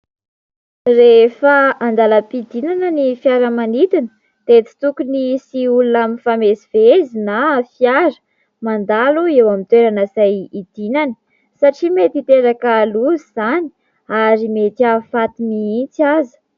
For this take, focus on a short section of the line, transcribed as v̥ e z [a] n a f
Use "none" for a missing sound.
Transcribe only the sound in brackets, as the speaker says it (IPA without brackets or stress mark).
i